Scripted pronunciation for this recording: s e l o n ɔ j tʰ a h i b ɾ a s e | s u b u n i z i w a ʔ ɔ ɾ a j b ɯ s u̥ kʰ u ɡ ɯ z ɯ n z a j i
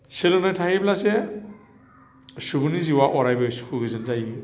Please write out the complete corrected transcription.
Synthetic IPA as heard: s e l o n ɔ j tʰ a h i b l a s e | s u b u n i z i w a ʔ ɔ ɾ a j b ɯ s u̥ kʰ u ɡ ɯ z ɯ n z a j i